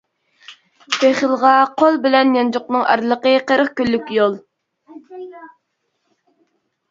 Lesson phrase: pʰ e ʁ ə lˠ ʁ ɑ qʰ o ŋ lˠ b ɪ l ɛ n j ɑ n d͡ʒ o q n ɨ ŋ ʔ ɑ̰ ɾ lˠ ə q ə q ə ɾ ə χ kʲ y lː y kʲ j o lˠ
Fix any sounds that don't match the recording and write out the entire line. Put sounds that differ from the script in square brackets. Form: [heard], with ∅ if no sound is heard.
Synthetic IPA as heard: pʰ e [χ] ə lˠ ʁ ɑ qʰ o [∅] lˠ b ɪ l ɛ n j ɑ n d͡ʒ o q n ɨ ŋ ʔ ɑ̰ ɾ lˠ ə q ə q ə ɾ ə χ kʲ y lː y kʲ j o lˠ